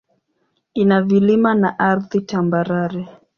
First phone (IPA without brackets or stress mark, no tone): i